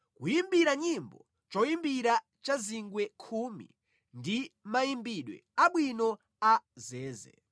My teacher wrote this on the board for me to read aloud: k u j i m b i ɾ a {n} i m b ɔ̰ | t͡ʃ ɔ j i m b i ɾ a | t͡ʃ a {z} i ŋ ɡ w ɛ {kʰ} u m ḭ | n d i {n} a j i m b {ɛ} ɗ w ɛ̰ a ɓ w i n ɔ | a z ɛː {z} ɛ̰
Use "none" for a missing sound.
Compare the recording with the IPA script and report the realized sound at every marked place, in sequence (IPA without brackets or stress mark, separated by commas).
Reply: ɲ, z, kʰ, m, i, z